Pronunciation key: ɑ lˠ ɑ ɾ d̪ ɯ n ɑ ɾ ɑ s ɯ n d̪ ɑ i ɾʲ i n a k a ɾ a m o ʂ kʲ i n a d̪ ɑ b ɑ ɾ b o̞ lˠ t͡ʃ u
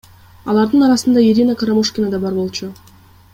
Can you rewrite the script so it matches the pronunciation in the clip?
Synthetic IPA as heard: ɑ lˠ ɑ ɾ d̪ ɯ n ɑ ɾ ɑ s ɯ n d̪ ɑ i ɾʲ i n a k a ɾ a m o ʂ kʲ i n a d̪ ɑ b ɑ ɾ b o̞ lˠ t͡ʃ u